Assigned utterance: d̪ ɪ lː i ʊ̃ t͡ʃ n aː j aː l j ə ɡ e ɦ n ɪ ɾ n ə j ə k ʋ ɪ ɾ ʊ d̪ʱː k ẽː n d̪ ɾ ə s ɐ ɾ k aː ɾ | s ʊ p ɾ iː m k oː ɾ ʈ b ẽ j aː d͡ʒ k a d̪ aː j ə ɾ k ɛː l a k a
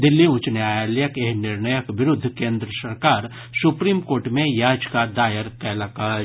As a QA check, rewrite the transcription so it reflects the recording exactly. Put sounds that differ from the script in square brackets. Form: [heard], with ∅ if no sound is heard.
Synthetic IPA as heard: d̪ ɪ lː i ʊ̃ t͡ʃ n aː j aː l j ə [k] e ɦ n ɪ ɾ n ə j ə k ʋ ɪ ɾ ʊ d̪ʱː k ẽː n d̪ ɾ ə s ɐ ɾ k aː ɾ | s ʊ p ɾ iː m k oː ɾ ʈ [m] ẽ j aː d͡ʒ k a d̪ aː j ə ɾ k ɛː l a k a